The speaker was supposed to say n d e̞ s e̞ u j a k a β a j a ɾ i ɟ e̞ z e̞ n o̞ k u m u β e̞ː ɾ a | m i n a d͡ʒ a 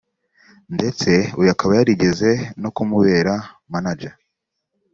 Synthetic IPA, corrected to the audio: n d e̞ t͡s e̞ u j a k a β a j a ɾ i ɟ e̞ z e̞ n o̞ k u m u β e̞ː ɾ a | m a n a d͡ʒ a